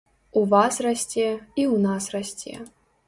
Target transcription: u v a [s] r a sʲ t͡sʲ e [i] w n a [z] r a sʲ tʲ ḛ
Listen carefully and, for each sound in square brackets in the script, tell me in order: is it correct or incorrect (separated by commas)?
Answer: correct, correct, incorrect